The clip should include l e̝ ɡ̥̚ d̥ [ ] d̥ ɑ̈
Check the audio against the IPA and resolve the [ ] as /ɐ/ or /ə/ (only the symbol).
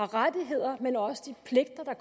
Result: ɐ